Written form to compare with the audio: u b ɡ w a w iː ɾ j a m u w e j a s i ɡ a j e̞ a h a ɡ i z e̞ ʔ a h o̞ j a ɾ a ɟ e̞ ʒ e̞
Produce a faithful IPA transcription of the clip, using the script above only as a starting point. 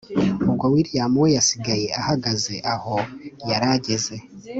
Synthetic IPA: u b ɡ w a w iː ɾ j a m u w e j a s i ɡ a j e̞ a h a ɡ a z e̞ ʔ a h o̞ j a ɾ a ɟ e̞ z e̞